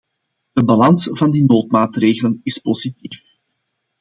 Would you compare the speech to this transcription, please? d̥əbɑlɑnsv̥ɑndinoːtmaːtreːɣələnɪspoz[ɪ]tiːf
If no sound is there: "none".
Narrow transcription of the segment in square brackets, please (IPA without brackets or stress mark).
i